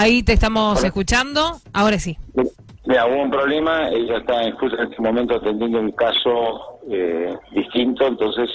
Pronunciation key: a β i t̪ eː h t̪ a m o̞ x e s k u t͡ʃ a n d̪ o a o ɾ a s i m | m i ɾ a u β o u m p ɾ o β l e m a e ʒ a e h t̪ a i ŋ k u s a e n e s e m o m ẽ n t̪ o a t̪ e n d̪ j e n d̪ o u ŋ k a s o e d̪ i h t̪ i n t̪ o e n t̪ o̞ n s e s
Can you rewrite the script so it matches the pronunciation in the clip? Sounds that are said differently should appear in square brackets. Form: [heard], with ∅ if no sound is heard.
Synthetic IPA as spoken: a [∅] i t̪ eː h t̪ a m o̞ [s] e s k u t͡ʃ a n d̪ o a o ɾ a s i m | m i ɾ a u β o u m p ɾ o β l e m a e ʒ a e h t̪ a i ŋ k u s a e n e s e m o m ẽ n t̪ o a t̪ e n d̪ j e n d̪ o u ŋ k a s o e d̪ i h t̪ i n t̪ o e n t̪ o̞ n s e s